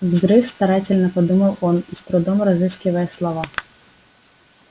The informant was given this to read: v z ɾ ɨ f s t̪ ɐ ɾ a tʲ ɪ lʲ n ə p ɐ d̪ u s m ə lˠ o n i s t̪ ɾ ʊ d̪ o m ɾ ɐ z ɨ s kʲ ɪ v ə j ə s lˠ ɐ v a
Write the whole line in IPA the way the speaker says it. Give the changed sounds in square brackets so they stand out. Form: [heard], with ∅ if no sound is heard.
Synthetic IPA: v z ɾ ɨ f s t̪ ɐ ɾ a tʲ ɪ lʲ n ə p ɐ d̪ u [∅] m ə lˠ o n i s t̪ ɾ ʊ d̪ o m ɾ ɐ z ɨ s kʲ ɪ v ə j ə s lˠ ɐ v a